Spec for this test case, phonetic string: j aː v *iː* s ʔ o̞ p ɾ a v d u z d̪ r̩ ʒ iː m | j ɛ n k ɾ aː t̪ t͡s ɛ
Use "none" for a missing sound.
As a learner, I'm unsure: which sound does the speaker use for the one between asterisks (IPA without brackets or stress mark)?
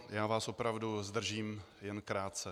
aː